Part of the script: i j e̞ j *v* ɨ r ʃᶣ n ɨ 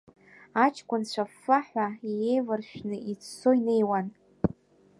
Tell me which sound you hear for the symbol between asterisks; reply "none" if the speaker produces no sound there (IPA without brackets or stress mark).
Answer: v